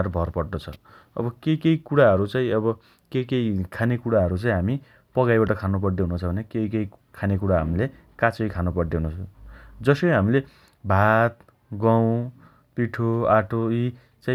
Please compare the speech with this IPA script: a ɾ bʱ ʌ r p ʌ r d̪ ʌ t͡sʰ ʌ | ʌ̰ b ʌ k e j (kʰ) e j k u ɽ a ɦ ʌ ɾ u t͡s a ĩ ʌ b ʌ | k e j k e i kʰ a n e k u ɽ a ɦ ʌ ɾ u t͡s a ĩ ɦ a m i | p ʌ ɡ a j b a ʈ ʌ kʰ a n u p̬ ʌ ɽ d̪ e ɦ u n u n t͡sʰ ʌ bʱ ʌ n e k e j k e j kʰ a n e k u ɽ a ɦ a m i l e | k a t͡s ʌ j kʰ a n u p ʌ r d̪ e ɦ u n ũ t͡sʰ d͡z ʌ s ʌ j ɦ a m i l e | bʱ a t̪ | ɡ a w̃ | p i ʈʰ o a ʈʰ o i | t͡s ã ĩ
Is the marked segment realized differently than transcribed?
yes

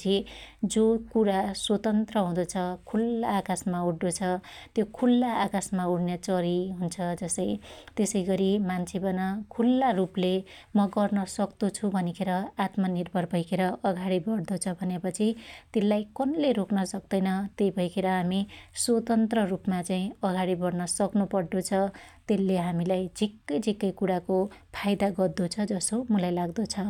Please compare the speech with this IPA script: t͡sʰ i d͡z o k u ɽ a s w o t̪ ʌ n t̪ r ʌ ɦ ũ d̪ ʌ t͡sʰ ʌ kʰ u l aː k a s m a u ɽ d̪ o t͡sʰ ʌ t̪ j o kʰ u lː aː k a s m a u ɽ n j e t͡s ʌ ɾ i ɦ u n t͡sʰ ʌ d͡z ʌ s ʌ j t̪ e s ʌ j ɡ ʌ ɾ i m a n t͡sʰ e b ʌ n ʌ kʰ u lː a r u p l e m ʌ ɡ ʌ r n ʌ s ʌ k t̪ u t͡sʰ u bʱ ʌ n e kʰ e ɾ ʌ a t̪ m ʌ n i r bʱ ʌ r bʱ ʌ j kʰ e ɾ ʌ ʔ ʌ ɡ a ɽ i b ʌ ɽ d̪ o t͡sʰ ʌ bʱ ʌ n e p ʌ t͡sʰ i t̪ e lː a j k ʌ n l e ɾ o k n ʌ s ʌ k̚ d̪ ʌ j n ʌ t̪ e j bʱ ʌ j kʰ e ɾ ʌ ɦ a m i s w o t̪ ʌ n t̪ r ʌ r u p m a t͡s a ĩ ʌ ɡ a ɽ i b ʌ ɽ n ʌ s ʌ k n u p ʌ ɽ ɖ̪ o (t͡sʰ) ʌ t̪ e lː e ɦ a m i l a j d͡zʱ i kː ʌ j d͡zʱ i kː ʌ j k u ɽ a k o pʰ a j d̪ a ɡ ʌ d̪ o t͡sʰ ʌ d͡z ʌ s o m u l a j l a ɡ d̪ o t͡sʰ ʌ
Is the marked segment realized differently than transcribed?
no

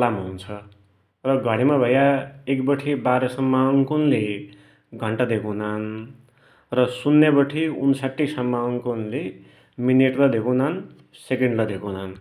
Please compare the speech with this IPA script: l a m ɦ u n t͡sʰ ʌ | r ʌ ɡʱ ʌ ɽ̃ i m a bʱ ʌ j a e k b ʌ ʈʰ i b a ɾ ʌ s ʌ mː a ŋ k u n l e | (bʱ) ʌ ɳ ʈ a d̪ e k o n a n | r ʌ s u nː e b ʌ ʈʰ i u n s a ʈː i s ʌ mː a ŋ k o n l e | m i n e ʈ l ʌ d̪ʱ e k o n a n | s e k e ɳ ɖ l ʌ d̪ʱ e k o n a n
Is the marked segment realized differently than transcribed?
yes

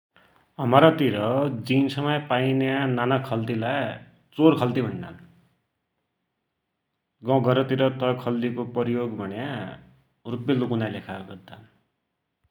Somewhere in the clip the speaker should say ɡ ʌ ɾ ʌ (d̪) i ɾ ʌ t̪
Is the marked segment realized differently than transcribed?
yes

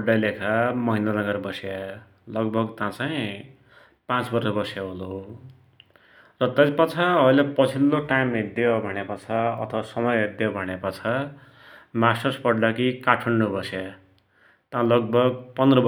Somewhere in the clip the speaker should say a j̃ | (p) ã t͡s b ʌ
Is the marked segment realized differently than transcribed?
no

